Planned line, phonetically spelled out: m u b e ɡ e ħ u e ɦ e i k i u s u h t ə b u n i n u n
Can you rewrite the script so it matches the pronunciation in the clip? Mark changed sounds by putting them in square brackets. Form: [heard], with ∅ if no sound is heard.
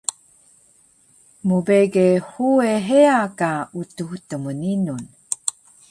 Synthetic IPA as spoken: m u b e ɡ e [h] u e ɦ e [a] k [a] u [t] u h t ə [m] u n i n u n